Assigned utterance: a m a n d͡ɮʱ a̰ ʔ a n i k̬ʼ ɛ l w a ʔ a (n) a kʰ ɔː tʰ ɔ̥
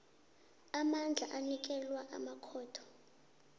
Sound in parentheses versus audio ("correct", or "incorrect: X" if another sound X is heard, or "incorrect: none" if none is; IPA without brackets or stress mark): incorrect: m